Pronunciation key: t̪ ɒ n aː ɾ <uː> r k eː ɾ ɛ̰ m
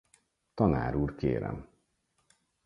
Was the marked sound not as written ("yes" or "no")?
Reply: no